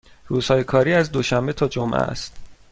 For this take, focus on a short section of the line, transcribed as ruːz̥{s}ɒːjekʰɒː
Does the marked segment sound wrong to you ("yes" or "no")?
yes